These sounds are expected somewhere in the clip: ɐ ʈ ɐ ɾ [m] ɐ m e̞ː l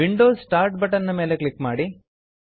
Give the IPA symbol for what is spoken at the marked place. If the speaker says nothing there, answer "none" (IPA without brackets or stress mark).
n